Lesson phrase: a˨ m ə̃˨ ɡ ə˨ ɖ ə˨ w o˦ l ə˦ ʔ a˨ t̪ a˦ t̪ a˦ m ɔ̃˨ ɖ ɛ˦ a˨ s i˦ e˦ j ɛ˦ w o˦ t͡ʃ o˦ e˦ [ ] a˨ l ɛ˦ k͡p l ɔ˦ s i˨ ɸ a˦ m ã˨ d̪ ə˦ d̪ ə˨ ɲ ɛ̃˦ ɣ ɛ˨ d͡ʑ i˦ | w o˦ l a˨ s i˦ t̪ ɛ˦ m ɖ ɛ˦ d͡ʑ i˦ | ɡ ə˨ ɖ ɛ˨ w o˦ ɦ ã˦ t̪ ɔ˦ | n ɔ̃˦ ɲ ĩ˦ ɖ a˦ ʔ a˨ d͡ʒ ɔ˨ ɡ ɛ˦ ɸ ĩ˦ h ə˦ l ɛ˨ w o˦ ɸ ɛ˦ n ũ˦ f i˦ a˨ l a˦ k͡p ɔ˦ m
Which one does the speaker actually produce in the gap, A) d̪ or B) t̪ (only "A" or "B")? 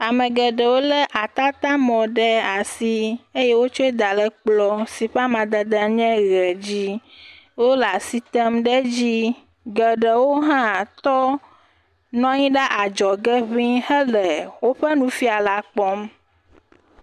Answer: A